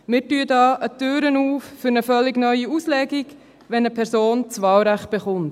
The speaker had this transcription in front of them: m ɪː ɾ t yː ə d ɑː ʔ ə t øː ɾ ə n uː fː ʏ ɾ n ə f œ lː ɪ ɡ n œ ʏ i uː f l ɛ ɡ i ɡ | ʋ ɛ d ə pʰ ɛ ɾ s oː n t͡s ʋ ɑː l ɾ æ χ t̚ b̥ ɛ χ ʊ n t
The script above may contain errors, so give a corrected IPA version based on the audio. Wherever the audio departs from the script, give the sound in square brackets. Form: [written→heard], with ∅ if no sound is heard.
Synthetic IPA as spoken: m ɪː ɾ t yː ə d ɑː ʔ ə t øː ɾ ə n uː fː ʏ ɾ n ə f œ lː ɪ ɡ n œ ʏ i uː [f→s] l ɛ ɡ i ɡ | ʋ ɛ [d→n] ə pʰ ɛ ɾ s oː n t͡s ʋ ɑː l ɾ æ χ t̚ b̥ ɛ χ ʊ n t